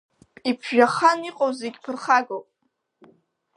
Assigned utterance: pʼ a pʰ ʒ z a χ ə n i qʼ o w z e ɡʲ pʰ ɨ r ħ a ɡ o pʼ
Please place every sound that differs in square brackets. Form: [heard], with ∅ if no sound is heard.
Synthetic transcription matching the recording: pʼ [i] pʰ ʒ [ʒ] a χ [a] n i qʼ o w z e ɡʲ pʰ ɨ r [χ] a ɡ o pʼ